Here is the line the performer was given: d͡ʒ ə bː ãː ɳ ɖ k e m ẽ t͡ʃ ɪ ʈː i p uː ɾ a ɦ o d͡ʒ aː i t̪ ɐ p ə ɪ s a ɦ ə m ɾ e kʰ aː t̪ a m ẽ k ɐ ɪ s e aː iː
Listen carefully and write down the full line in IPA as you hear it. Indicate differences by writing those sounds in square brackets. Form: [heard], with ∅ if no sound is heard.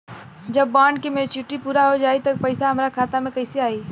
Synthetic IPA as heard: d͡ʒ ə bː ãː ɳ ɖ k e m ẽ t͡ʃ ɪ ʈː i p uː ɾ a ɦ o d͡ʒ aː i t̪ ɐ p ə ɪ s a ɦ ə m ɾ [a] kʰ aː t̪ a m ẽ k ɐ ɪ s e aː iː